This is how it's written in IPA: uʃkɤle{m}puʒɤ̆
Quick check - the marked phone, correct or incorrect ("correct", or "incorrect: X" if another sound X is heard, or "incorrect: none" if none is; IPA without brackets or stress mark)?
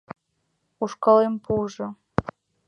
correct